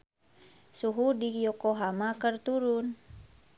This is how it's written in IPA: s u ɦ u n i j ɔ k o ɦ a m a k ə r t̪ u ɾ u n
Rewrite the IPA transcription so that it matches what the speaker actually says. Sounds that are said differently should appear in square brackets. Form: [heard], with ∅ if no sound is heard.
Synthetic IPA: s u ɦ u [d] i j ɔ k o ɦ a m a k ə r t̪ u ɾ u n